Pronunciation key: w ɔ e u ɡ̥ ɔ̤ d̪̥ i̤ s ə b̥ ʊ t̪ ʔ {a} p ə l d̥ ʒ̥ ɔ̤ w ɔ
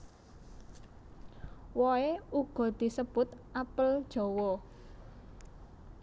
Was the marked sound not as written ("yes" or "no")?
no